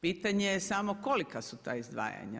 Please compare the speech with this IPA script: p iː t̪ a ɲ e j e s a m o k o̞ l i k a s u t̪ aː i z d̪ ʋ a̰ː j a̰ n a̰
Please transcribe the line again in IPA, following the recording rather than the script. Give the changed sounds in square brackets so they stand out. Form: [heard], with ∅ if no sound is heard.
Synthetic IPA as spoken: p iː t̪ a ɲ e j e s a m o k o̞ l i k a s u t̪ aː i z d̪ ʋ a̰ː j a̰ [ɲ] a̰